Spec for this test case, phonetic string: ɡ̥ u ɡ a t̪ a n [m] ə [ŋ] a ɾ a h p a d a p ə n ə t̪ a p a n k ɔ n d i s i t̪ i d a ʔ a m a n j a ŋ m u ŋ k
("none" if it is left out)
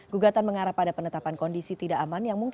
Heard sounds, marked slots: m, ŋ

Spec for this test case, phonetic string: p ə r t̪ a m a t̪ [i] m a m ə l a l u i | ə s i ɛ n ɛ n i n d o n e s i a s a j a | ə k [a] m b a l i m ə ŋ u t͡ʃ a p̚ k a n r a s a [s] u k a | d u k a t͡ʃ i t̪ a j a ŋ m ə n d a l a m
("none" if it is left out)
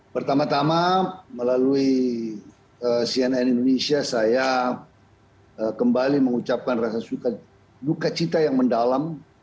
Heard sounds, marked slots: a, ə, s

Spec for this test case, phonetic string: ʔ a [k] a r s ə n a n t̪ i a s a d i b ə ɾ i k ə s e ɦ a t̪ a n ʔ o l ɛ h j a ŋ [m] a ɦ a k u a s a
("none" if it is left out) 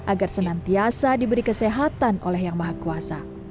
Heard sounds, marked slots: ɡ, m

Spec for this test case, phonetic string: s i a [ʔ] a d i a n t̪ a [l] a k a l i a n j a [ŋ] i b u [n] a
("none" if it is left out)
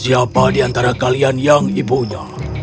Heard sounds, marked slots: p, ɾ, ŋ, ɲ

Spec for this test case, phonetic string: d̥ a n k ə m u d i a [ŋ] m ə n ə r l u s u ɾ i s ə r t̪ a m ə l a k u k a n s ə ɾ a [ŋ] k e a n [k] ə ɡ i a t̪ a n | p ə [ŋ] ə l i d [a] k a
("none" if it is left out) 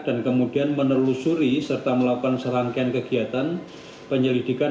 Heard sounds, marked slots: n, ŋ, k, ɲ, i

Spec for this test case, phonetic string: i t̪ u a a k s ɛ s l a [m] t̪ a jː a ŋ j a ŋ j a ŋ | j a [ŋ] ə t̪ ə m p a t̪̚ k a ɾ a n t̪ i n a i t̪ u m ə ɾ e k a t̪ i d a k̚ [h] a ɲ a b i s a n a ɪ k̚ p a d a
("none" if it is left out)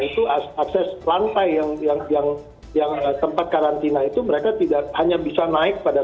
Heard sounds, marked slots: n, ŋ, h

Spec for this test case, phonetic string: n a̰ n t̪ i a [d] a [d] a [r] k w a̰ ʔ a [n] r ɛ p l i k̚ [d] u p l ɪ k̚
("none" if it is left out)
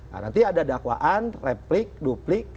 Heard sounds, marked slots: d, d, none, n, d

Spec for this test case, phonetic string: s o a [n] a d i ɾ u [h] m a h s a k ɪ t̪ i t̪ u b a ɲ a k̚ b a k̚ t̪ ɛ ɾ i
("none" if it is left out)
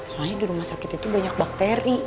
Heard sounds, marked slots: ɲ, none

